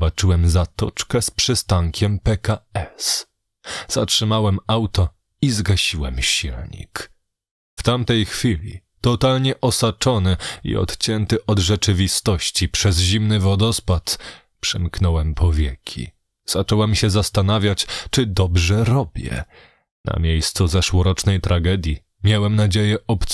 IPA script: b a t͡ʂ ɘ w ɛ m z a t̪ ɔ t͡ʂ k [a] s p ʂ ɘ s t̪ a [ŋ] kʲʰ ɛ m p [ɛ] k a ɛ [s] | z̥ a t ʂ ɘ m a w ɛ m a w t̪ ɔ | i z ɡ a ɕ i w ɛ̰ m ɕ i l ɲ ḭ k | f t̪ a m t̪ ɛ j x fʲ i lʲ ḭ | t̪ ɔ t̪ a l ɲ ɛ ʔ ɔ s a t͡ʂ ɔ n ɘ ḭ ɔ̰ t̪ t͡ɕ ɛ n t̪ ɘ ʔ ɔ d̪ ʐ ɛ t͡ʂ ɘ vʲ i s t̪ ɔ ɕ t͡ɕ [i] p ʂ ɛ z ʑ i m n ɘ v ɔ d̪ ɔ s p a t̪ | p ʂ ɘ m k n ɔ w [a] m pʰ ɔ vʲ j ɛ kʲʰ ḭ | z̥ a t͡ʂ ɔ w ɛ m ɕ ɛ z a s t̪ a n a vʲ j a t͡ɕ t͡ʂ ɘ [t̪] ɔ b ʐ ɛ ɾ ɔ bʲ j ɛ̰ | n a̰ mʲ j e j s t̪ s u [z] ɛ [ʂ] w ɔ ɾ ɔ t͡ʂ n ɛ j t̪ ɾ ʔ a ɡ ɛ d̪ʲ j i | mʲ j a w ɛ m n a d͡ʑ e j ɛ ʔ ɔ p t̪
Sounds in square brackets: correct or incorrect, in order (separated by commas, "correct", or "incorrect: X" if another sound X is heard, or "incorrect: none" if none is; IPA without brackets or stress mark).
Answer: incorrect: ɛ, correct, correct, correct, correct, incorrect: ɛ, incorrect: d̪, correct, correct